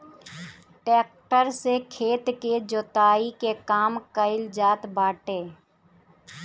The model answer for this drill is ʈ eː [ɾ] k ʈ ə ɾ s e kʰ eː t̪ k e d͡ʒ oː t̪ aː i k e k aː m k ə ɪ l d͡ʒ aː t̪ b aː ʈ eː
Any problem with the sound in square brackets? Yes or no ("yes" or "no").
yes